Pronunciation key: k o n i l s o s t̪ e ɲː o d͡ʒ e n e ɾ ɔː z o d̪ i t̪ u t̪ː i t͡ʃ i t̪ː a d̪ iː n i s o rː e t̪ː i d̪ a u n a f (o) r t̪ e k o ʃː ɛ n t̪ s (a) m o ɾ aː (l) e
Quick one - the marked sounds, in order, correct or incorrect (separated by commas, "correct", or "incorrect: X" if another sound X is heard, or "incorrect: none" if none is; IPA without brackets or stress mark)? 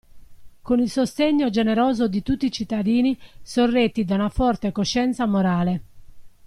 incorrect: ɔ, correct, correct